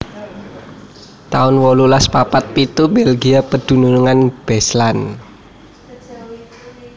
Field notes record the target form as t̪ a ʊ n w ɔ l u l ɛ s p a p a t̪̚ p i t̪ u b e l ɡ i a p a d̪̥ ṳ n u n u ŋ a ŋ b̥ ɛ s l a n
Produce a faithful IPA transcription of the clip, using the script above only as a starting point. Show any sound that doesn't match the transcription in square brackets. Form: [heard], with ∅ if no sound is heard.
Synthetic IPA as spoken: t̪ a ʊ n w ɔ l u l [a] s p a p a t̪̚ p i t̪ u b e l ɡ i a p [ə] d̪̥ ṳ n u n u ŋ a [n] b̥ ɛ s l a n